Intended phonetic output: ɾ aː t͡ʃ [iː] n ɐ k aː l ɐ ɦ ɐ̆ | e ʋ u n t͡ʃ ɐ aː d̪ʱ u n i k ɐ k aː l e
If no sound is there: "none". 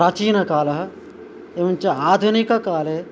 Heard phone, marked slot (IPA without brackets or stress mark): iː